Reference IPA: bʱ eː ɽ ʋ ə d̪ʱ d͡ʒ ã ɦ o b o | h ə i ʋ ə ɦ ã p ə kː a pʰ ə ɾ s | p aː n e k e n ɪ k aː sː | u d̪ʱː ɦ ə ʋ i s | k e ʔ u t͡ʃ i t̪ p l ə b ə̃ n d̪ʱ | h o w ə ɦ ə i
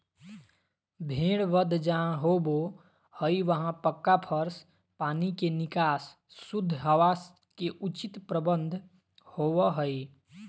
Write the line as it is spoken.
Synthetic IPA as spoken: bʱ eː ɽ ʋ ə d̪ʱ d͡ʒ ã ɦ o b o | h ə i ʋ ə ɦ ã p ə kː a pʰ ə ɾ s | p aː n i k e n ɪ k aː sː | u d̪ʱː ɦ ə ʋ a s | k e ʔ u t͡ʃ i t̪ p ɾ ə b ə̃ n d̪ʱ | h o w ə ɦ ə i